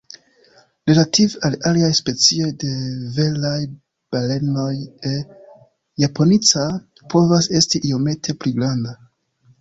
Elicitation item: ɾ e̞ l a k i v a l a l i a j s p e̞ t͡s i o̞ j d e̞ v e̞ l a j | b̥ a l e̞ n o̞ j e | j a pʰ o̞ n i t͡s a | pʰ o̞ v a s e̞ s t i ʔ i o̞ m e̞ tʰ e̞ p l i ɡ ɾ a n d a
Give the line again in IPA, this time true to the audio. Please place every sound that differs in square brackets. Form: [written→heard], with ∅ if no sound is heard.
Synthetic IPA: ɾ e̞ l a [k→t] i v a l a l i a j s p e̞ t͡s i o̞ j d e̞ v e̞ l a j | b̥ a l e̞ n o̞ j e | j a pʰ o̞ n i t͡s a | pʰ o̞ v a s e̞ s t i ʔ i o̞ m e̞ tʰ e̞ p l i ɡ ɾ a n d a